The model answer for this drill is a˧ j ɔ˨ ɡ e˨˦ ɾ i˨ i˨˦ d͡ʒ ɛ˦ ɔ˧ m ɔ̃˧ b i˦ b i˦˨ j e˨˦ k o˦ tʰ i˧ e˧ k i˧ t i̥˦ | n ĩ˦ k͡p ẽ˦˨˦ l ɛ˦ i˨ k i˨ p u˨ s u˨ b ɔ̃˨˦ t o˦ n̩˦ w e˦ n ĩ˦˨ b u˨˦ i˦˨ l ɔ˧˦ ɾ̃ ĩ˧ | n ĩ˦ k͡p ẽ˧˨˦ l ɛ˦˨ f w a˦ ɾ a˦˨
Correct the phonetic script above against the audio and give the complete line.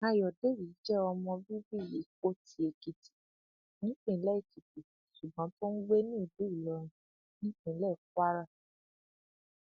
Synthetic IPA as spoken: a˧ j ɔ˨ d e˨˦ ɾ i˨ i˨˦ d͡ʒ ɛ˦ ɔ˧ m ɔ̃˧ b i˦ b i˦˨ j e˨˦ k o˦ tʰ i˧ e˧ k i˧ t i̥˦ | n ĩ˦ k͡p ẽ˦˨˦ l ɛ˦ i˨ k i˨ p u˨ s u˨ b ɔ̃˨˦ t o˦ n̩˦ w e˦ n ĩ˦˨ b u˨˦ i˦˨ l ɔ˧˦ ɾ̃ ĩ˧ | n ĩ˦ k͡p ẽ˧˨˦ l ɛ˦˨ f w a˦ ɾ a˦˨